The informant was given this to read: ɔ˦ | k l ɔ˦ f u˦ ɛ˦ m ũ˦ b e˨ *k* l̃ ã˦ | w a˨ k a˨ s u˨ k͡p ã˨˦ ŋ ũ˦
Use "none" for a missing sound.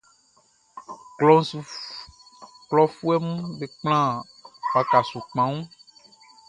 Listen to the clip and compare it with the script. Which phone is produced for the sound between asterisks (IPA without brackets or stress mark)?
k͡p